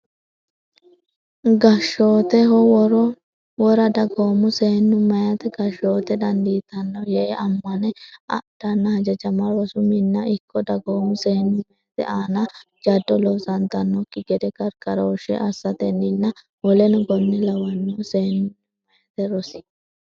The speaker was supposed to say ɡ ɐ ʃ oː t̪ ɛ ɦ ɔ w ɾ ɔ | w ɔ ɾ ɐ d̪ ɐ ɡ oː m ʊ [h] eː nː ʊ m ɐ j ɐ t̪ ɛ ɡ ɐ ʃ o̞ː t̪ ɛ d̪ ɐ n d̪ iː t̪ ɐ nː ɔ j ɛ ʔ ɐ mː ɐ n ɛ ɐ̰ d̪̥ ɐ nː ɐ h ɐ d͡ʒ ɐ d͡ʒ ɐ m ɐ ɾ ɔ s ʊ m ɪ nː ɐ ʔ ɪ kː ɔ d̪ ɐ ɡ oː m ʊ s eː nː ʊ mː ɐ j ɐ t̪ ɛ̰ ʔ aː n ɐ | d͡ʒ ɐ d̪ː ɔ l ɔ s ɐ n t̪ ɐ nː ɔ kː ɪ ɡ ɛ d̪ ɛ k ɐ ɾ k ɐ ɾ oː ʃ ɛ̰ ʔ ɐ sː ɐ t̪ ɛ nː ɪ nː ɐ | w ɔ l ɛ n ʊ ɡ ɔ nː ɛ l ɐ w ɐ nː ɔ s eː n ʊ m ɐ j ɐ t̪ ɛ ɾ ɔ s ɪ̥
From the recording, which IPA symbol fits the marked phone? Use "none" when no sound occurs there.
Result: s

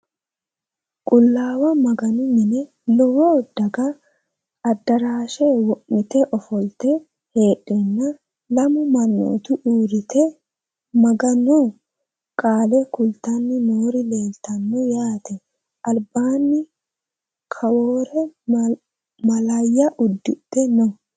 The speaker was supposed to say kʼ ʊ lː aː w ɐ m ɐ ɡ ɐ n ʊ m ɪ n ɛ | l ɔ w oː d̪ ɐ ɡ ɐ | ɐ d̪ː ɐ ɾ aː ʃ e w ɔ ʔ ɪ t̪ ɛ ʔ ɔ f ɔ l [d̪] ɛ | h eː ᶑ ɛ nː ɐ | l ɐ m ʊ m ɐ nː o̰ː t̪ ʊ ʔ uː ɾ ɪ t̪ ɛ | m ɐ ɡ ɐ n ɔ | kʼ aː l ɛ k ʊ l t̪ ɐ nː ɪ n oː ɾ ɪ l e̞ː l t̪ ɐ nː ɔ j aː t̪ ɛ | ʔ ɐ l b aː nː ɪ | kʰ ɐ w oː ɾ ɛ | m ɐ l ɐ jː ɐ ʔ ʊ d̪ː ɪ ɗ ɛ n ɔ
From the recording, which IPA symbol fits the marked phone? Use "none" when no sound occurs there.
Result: t̪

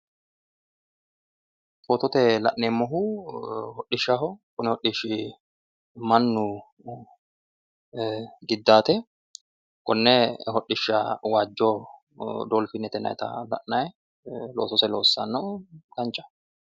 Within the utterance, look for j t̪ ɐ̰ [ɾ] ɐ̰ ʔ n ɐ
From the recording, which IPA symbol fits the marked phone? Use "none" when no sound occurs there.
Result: l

